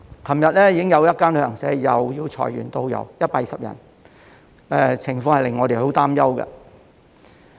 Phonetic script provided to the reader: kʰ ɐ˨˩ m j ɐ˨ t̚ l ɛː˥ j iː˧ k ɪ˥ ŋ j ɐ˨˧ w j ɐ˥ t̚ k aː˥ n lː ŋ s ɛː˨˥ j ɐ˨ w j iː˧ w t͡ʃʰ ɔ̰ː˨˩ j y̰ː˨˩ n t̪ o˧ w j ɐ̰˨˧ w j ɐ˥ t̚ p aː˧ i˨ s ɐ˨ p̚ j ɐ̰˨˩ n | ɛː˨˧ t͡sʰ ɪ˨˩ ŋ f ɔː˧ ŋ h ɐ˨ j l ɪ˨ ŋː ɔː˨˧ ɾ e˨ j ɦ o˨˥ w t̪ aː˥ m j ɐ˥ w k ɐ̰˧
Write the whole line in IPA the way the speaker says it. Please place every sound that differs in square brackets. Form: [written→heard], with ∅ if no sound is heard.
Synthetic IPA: kʰ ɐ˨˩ m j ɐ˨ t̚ l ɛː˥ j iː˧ k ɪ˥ ŋ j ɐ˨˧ w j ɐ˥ t̚ k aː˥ n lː ŋ s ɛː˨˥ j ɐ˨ w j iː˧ w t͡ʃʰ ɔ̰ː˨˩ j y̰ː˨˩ n t̪ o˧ w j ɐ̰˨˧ w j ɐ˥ t̚ p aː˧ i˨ s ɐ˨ p̚ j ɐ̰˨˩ n | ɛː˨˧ t͡sʰ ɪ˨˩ ŋ f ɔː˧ ŋ h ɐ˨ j l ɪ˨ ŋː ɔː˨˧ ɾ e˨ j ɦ o˨˥ w t̪ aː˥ m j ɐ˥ w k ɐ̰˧

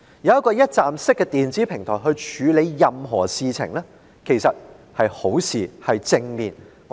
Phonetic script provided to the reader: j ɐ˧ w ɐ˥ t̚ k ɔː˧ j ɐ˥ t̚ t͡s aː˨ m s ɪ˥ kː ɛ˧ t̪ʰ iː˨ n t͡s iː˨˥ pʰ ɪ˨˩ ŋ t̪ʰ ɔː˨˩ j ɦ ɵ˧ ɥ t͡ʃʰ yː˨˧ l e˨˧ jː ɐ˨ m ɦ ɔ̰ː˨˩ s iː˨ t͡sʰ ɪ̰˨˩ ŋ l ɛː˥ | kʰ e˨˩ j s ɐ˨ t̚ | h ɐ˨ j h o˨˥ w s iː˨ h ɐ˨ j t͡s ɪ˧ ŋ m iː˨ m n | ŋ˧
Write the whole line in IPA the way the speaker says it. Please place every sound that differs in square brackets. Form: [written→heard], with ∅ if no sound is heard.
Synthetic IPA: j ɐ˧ w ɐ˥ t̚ k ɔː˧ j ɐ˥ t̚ t͡s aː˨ m s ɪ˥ kː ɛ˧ [t̪ʰ→t̪] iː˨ n t͡s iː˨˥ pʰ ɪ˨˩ ŋ t̪ʰ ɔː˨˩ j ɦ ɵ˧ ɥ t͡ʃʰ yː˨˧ l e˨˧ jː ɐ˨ m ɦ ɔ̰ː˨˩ s iː˨ t͡sʰ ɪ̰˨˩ ŋ l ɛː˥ | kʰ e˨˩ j s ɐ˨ t̚ | h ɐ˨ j h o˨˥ w s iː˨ h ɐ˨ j t͡s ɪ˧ ŋ m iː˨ [m→∅] n | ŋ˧

